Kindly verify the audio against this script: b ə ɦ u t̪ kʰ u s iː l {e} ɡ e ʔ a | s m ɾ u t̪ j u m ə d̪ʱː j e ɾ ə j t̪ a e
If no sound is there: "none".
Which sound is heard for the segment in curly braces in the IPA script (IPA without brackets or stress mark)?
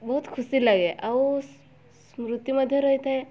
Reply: a